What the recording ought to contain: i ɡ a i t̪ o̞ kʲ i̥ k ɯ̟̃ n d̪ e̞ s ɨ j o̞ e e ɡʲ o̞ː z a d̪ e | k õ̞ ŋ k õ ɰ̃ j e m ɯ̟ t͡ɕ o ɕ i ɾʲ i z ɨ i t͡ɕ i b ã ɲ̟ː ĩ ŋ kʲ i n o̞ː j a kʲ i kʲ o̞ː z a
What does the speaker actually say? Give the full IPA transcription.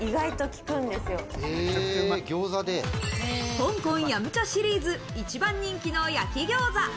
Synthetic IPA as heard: i ɡ a i t̪ o̞ kʲ i̥ k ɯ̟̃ n d̪ e̞ s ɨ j o̞ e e ɡʲ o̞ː z a d̪ e | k õ̞ ŋ k õ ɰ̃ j a m ɯ̟ t͡ɕ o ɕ i ɾʲ iː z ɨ i t͡ɕ i b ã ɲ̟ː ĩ ŋ kʲ i n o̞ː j a kʲ i ɡʲ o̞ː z a